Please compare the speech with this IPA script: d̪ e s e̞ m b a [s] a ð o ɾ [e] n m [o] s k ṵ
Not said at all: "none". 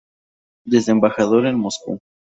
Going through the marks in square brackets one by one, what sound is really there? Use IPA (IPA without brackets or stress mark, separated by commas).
x, e, o